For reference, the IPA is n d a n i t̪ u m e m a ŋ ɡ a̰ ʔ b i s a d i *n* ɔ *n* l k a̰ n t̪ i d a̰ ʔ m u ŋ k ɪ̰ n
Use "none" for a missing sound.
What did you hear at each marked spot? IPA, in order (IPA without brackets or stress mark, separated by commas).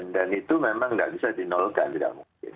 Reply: n, none